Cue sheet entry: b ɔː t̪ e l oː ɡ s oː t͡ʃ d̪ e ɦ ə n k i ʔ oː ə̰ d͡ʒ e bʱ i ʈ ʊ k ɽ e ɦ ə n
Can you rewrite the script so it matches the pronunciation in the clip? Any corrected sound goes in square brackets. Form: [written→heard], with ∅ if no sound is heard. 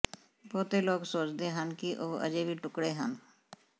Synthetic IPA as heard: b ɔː t̪ e l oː ɡ s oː t͡ʃ d̪ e ɦ ə n k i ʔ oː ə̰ d͡ʒ e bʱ i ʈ ʊ k ɽ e ɦ ə n